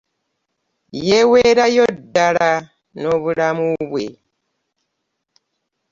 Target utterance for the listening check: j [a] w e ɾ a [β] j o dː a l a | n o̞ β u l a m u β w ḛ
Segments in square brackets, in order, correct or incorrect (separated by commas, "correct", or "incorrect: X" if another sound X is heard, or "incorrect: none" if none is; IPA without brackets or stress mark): incorrect: e, incorrect: none